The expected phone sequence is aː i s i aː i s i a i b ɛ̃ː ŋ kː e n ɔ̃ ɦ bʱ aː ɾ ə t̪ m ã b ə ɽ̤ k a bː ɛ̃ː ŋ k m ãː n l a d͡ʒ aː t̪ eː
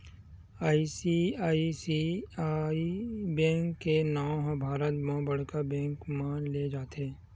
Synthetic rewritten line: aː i s i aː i s i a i b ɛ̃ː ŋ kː e n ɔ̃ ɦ bʱ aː ɾ ə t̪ m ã b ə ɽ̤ k a b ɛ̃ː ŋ k m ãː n l e d͡ʒ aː t̪ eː

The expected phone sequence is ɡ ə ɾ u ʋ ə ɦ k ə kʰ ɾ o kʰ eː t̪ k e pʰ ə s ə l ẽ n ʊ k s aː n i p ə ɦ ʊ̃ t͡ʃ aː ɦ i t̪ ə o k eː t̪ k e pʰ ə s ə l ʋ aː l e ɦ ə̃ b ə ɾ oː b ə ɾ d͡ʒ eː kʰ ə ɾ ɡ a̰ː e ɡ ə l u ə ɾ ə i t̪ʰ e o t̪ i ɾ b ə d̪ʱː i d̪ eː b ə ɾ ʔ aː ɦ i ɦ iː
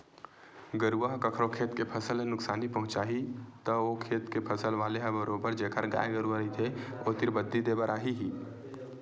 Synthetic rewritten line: ɡ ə ɾ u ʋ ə ɦ k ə kʰ ɾ o kʰ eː t̪ k e pʰ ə s ə l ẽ n ʊ k s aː n i p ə ɦ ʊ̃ t͡ʃ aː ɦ i t̪ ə o kʰ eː t̪ k e pʰ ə s ə l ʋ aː l e ɦ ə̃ b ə ɾ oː b ə ɾ d͡ʒ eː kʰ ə ɾ ɡ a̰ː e ɡ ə ɾ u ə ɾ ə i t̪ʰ e o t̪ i ɾ b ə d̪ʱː i d̪ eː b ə ɾ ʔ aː ɦ i ɦ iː

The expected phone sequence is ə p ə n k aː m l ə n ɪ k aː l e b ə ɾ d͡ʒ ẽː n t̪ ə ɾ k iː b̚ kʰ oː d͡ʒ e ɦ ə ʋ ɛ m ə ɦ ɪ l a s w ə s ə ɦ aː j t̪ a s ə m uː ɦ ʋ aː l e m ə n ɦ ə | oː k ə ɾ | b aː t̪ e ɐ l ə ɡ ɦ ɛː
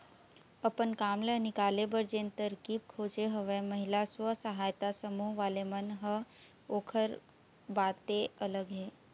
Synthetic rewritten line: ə p ə n k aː m l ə n ɪ k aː l e b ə ɾ d͡ʒ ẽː n t̪ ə ɾ k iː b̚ kʰ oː d͡ʒ e ɦ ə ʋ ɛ m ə ɦ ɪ l a s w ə s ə ɦ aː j t̪ a s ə m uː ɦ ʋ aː l e m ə n ɦ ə | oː kʰ ə ɾ | b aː t̪ e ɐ l ə ɡ ɦ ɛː

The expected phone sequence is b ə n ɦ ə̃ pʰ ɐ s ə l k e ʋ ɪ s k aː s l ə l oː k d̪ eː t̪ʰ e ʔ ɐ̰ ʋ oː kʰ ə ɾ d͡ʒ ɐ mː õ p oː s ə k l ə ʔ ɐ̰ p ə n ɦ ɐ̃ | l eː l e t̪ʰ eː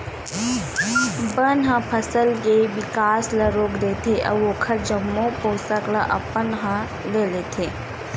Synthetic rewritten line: b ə n ɦ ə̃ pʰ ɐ s ə l k e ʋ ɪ k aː s l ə ɾ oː k d̪ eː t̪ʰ e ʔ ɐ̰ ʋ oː kʰ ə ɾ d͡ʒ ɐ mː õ p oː s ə k l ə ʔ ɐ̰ p ə n ɦ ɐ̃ | l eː l e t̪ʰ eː

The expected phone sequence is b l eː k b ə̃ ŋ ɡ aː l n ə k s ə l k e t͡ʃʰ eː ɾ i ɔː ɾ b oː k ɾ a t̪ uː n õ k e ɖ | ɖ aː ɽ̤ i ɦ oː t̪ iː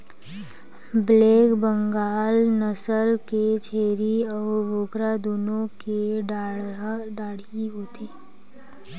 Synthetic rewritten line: b l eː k b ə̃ ŋ ɡ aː l n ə s ə l k e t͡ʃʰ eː ɾ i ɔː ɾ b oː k ɾ a d̪ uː n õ k e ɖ | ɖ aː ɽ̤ i ɦ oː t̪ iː

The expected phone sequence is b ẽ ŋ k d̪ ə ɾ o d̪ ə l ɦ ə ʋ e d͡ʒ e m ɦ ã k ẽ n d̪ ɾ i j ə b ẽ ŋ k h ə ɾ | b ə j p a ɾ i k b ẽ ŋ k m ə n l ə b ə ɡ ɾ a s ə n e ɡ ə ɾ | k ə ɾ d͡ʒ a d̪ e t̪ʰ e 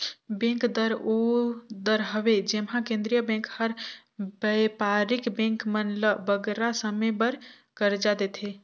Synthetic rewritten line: b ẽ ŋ k d̪ ə ɾ o d̪ ə ɾ ɦ ə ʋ e d͡ʒ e m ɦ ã k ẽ n d̪ ɾ i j ə b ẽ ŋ k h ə ɾ | b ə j p a ɾ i k b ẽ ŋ k m ə n l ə b ə ɡ ɾ a s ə m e b ə ɾ | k ə ɾ d͡ʒ a d̪ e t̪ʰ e

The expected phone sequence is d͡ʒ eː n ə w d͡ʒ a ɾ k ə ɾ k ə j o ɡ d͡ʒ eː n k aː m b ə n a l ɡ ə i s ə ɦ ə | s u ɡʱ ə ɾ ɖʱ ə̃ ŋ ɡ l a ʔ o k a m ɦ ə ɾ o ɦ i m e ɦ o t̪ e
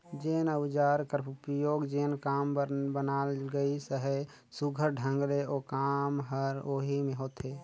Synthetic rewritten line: d͡ʒ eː n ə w d͡ʒ a ɾ k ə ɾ p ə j o ɡ d͡ʒ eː n k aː m b ə n a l ɡ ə i s ə ɦ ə | s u ɡʱ ə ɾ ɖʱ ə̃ ŋ ɡ l e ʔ o k a m ɦ ə ɾ o ɦ i m e ɦ o t̪ e

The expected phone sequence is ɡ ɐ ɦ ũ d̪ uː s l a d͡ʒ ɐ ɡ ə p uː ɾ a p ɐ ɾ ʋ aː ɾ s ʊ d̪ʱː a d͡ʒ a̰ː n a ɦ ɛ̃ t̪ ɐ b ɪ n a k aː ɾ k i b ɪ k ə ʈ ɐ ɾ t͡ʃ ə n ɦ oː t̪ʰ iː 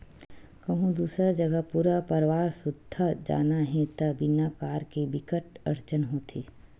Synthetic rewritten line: k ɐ ɦ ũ d̪ uː s ɾ a d͡ʒ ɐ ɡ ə p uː ɾ a p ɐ ɾ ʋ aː ɾ s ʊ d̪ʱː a d͡ʒ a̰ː n a ɦ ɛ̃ t̪ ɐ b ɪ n a k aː ɾ k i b ɪ k ə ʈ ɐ ɾ t͡ʃ ə n ɦ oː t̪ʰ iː

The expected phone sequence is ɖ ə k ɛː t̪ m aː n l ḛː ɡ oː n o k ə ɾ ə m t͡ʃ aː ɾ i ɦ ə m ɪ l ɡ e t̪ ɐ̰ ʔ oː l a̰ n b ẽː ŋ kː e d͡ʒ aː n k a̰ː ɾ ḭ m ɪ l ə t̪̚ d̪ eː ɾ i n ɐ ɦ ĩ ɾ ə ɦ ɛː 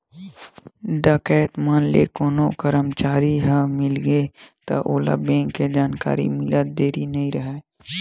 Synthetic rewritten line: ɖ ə k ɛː t̪ m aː n l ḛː k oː n o k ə ɾ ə m t͡ʃ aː ɾ i ɦ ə m ɪ l ɡ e t̪ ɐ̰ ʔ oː l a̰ b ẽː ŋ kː e d͡ʒ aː n k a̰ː ɾ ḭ m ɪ l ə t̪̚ d̪ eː ɾ i n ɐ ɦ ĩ ɾ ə ɦ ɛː

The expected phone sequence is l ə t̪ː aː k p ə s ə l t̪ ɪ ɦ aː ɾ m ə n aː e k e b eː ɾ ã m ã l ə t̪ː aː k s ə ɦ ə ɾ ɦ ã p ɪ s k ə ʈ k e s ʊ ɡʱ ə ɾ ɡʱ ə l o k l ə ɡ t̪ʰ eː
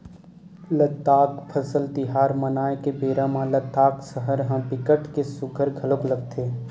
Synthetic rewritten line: l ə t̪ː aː k pʰ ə s ə l t̪ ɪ ɦ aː ɾ m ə n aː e k e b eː ɾ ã m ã l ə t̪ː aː k s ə ɦ ə ɾ ɦ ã p ɪ k ə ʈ k e s ʊ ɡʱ ə ɾ ɡʱ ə l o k l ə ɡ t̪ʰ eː

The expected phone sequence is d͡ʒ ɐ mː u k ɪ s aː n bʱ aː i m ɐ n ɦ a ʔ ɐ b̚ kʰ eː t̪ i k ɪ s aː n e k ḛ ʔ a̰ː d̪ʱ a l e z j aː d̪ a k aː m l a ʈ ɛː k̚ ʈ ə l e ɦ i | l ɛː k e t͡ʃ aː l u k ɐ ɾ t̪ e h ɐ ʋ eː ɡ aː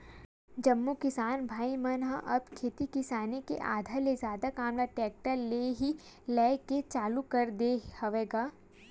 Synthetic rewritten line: d͡ʒ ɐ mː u k ɪ s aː n bʱ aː i m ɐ n ɦ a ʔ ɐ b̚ kʰ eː t̪ i k ɪ s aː n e k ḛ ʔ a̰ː d̪ʱ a l e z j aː d̪ a k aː m l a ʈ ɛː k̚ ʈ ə l e ɦ i | l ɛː k e t͡ʃ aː l u k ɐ ɾ d̪ e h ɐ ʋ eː ɡ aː

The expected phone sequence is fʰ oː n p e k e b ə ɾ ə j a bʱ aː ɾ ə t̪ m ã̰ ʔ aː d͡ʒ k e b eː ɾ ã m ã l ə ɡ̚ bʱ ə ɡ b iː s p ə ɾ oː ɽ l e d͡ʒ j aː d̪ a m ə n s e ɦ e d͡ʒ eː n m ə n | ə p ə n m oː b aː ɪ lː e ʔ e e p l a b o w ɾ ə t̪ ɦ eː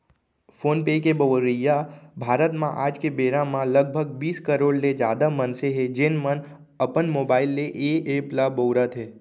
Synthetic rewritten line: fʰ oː n p e k e b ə ɾ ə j a bʱ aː ɾ ə t̪ m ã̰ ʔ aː d͡ʒ k e b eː ɾ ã m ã l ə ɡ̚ bʱ ə ɡ b iː s k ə ɾ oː ɽ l e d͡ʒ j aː d̪ a m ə n s e ɦ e d͡ʒ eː n m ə n | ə p ə n m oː b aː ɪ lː e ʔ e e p l a b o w ɾ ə t̪ ɦ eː

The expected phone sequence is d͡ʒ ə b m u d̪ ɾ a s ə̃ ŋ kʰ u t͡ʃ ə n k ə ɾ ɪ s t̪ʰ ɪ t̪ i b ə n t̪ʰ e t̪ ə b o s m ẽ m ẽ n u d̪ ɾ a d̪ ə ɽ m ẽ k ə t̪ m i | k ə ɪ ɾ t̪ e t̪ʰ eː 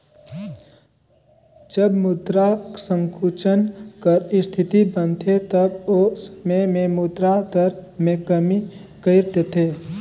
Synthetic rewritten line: d͡ʒ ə b m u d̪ ɾ a s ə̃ ŋ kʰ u t͡ʃ ə n k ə ɾ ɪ s t̪ʰ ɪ t̪ i b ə n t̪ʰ e t̪ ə b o s m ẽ m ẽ m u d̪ ɾ a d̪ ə ɾ m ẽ k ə m i | k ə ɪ ɾ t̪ e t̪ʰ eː

